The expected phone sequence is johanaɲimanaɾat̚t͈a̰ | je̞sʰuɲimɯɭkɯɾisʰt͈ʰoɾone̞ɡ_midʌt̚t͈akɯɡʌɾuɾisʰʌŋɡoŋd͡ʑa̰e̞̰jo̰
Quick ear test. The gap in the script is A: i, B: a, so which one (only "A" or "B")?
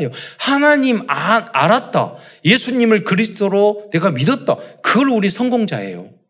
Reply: B